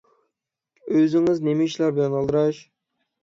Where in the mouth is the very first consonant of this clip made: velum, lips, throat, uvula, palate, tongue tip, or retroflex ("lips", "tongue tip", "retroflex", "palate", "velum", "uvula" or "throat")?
tongue tip